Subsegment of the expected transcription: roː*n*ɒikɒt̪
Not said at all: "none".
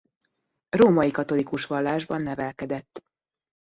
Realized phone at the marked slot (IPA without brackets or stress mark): m